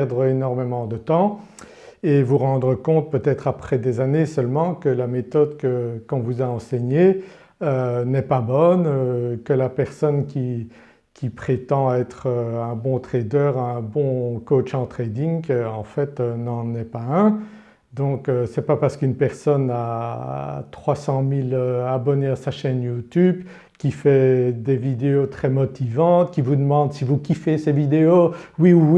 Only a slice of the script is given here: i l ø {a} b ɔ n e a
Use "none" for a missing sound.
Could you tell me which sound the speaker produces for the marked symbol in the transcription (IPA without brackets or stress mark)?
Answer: a